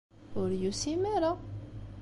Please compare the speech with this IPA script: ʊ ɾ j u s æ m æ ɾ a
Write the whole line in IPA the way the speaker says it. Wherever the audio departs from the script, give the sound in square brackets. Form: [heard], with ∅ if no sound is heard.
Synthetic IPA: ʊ ɾ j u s [i] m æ ɾ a